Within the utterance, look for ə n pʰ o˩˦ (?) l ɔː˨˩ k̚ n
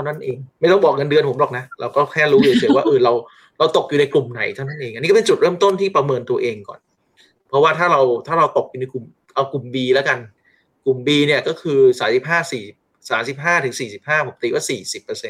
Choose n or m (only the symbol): m